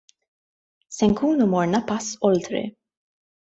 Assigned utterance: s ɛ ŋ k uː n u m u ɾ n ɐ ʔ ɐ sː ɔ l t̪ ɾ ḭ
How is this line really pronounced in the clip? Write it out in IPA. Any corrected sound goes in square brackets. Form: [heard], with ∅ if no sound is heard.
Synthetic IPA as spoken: s ɛ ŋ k uː n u m [ɔ] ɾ n ɐ [p] ɐ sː ɔ l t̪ ɾ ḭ